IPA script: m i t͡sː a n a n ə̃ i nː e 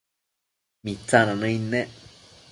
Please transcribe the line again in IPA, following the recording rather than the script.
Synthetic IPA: m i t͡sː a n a n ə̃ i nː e